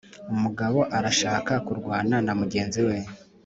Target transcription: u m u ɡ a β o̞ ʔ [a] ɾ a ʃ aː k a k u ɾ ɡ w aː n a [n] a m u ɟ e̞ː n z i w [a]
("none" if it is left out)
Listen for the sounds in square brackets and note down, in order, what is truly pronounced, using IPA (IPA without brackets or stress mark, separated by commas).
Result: a, n, e